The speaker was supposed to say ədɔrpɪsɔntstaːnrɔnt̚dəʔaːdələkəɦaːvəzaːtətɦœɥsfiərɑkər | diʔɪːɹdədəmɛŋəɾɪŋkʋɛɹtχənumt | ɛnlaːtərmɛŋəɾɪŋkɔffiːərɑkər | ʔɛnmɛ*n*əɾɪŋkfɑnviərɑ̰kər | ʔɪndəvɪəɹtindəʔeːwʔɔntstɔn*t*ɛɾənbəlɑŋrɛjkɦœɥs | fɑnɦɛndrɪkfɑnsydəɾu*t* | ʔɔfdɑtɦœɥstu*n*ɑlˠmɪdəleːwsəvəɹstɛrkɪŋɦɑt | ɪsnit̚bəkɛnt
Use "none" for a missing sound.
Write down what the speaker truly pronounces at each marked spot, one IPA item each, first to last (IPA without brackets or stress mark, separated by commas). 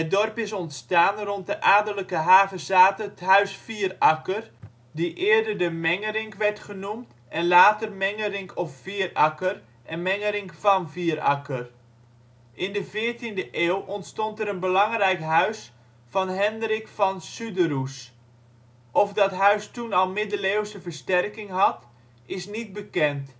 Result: ŋ, t, s, n